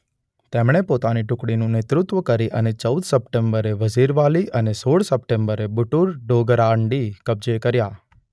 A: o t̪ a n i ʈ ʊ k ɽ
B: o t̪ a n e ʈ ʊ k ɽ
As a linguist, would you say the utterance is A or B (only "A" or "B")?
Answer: A